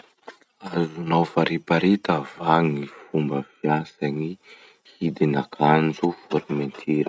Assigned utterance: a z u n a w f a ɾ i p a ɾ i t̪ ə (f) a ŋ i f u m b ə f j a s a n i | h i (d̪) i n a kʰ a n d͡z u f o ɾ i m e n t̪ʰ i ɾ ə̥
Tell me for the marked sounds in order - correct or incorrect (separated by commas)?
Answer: incorrect, correct